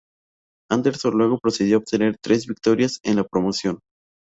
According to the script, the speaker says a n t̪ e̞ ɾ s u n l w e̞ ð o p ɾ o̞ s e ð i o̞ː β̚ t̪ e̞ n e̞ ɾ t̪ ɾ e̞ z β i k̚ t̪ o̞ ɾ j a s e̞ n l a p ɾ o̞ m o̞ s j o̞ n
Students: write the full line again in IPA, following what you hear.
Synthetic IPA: a n d̪ e̞ ɾ s o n l w e̞ ɣ o p ɾ o̞ s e ð j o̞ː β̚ t̪ e̞ n e̞ ɾ t̪ ɾ e̞ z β i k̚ t̪ o̞ ɾ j a s e̞ n l a p ɾ o̞ m o̞ s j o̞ n